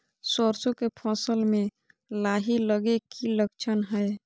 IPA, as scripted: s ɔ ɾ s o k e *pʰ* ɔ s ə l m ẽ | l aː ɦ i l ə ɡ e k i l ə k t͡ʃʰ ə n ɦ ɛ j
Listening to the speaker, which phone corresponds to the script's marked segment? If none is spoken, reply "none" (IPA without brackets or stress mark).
pʰ